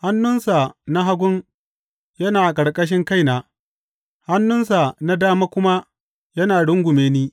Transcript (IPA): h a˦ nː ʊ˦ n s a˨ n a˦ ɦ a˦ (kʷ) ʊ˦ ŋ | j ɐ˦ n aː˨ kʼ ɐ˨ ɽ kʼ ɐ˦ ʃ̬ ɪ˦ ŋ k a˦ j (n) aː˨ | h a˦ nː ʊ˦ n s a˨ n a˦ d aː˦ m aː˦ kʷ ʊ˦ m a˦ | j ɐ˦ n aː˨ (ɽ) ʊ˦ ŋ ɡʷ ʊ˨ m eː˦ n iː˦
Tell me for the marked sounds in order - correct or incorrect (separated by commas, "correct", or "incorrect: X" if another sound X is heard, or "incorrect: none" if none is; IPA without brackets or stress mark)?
incorrect: ɡʷ, correct, correct